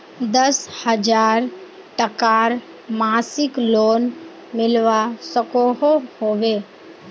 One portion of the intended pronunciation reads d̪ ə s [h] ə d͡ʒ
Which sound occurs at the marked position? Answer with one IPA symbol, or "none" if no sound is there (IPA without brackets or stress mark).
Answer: h